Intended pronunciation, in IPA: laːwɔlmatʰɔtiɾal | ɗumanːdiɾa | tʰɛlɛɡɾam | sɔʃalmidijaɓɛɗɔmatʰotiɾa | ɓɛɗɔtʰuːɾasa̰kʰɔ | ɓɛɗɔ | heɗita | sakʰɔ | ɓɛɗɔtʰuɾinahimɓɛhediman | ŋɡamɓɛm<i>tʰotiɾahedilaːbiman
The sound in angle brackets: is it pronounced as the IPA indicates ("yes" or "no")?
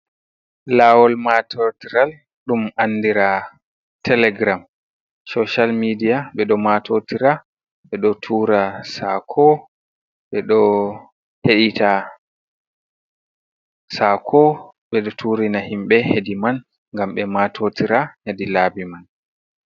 no